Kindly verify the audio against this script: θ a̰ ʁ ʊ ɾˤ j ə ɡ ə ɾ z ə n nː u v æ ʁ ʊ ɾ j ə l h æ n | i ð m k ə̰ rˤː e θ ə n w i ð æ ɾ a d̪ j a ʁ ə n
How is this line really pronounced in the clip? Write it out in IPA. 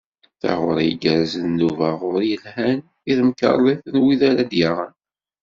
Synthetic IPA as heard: θ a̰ ʁ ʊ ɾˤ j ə ɡ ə ɾ z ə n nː u v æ ʁ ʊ ɾ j ə l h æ n | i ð m k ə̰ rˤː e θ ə n w i ð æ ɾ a d̪ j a ʁ ə n